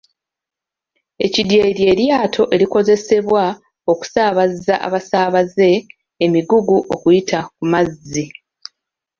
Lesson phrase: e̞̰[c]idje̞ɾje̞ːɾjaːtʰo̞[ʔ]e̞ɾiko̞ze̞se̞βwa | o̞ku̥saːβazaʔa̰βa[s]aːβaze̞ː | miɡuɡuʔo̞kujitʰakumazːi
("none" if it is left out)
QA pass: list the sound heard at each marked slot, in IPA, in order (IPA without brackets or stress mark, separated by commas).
c, ʔ, s